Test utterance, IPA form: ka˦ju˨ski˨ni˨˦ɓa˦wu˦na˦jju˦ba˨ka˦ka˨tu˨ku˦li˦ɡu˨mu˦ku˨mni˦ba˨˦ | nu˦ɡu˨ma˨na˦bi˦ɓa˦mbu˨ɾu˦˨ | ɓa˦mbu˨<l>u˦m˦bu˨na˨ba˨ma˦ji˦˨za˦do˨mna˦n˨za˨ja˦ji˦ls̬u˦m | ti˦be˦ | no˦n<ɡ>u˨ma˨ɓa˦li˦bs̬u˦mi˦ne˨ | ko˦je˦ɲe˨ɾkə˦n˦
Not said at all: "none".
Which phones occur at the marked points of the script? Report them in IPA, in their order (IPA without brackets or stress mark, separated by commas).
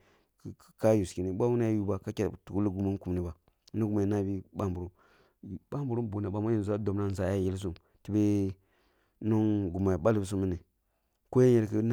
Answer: ɾ, ɡ